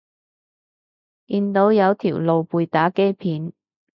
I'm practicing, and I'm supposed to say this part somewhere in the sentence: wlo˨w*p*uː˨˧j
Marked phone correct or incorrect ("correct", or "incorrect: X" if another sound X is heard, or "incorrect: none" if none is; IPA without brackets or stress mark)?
correct